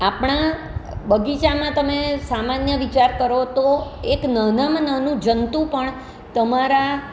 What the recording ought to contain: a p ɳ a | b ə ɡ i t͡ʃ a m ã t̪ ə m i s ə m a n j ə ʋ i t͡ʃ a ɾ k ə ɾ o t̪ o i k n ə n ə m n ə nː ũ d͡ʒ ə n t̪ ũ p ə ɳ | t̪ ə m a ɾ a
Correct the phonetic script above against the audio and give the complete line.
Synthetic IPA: a p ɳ a | b ə ɡ i t͡ʃ a m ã t̪ ə m e s a m a n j ə ʋ i t͡ʃ a ɾ k ə ɾ o t̪ o e k n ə n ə m n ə n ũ d͡ʒ ə n t̪ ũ p ə ɳ | t̪ ə m a ɾ a